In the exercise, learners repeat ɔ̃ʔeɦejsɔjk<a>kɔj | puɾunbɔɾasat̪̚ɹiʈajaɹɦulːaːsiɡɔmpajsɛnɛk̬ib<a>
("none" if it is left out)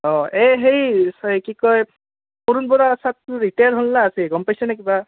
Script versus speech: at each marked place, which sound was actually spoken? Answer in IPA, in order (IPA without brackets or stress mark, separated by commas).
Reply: i, a